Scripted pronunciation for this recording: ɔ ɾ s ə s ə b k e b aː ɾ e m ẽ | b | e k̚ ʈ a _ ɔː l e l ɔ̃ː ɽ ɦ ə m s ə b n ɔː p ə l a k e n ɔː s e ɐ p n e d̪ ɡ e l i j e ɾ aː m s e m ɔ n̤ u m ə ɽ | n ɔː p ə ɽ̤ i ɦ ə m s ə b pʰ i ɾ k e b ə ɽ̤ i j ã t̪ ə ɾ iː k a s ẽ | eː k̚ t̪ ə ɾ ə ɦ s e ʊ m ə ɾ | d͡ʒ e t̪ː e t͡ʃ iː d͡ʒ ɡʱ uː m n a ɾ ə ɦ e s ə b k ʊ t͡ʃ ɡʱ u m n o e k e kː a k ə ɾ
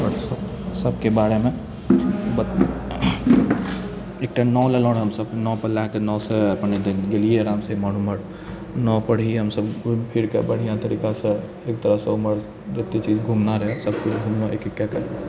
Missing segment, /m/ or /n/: n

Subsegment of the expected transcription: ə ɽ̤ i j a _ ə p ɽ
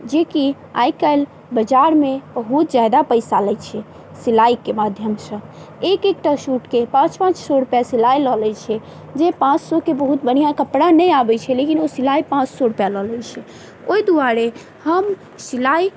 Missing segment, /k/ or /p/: k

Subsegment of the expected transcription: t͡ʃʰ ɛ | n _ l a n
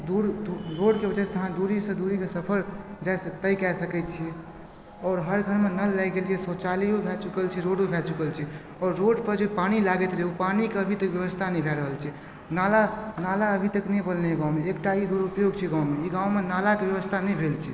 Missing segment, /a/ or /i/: a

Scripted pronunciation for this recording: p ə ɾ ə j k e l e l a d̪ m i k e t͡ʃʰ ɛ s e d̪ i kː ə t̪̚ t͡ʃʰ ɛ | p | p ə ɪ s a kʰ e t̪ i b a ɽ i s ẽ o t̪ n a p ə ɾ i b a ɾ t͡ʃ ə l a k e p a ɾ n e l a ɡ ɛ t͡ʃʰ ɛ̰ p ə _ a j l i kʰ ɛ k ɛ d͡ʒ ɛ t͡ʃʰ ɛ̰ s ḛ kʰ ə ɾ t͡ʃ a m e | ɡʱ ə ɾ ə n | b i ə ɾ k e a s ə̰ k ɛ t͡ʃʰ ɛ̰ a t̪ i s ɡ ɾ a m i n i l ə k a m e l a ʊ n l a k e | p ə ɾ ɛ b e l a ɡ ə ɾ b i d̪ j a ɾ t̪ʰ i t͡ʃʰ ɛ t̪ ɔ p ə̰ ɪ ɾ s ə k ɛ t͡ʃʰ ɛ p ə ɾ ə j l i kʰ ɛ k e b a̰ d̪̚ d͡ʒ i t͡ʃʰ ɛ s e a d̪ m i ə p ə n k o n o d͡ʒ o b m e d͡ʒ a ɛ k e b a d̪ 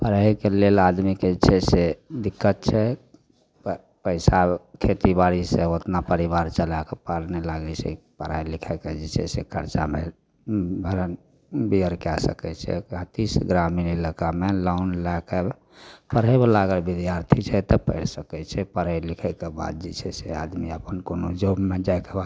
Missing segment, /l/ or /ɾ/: ɾ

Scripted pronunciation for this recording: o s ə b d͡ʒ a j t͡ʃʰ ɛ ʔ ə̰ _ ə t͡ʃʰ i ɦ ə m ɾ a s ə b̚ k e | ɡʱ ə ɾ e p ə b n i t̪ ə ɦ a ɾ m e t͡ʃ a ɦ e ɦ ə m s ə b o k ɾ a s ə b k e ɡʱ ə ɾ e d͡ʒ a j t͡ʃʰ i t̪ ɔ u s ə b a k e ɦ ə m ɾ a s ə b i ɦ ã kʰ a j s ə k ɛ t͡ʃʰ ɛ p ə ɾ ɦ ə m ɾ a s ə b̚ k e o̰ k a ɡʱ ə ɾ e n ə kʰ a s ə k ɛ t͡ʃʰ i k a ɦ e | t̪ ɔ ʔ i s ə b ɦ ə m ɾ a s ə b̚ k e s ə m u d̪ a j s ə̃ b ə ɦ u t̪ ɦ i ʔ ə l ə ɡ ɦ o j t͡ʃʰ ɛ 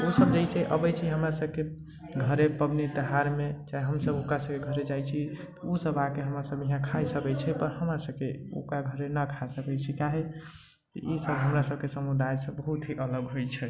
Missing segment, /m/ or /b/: b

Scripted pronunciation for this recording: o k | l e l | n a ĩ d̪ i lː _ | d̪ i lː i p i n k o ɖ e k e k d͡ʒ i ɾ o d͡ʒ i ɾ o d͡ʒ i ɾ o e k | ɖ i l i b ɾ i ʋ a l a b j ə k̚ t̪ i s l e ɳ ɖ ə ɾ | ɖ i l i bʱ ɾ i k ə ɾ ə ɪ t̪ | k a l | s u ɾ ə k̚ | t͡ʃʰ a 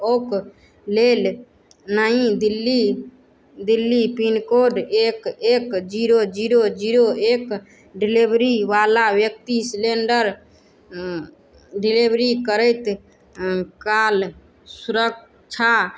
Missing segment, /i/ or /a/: i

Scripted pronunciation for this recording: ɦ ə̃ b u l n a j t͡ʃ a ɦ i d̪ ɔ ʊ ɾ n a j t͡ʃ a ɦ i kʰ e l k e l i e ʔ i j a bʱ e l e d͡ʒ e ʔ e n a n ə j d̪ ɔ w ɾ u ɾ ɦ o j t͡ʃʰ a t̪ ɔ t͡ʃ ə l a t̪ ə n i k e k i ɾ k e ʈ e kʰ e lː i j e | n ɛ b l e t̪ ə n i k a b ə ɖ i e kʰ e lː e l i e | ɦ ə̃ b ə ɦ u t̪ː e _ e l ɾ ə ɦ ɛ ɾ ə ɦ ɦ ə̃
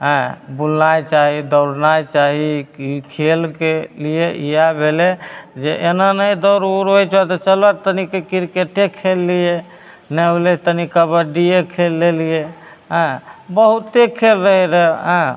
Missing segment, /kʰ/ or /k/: kʰ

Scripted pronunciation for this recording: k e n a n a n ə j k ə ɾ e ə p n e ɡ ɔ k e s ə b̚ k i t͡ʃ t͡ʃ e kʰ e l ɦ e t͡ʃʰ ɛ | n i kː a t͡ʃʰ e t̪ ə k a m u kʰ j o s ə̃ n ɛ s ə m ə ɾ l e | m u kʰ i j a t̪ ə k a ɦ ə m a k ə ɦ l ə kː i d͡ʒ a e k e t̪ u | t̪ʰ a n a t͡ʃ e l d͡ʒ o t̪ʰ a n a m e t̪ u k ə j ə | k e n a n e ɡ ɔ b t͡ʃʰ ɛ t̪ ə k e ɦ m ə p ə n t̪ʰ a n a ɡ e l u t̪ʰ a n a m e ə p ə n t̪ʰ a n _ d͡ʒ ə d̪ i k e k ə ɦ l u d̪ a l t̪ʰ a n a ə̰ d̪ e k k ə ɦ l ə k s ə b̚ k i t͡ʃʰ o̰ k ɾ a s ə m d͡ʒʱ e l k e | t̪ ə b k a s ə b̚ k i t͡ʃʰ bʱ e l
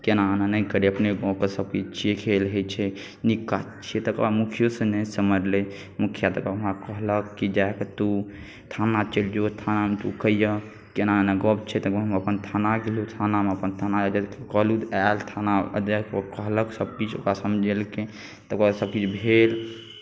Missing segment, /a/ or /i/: a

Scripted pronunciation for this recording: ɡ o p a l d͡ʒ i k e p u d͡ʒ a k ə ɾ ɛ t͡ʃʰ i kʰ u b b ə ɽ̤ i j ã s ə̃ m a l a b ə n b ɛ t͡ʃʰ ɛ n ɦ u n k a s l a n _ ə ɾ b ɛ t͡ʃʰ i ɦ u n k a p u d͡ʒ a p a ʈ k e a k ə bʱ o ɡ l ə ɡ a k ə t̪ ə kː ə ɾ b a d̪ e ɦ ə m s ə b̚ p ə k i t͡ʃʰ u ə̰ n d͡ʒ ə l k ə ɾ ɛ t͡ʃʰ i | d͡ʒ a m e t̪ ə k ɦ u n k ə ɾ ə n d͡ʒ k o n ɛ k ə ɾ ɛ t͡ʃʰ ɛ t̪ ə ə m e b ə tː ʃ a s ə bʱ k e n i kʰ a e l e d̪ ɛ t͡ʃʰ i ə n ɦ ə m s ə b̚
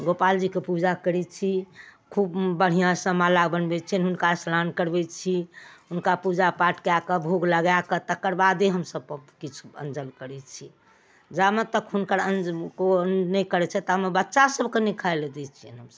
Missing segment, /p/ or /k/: k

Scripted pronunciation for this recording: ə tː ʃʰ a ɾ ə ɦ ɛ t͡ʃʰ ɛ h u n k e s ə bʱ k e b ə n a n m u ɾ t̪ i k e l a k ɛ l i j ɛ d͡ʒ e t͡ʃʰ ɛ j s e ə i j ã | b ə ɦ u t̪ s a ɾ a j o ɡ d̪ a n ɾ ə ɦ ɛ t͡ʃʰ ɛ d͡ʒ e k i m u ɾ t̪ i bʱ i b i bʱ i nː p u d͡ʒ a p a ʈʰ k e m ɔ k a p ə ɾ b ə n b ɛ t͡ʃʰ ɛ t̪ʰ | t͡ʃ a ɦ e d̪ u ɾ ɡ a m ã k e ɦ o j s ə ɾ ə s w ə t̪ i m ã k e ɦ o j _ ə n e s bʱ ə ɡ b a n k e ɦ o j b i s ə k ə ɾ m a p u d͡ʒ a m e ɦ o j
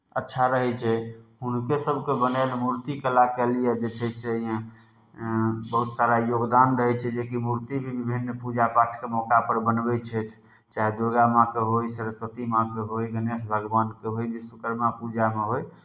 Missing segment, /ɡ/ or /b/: ɡ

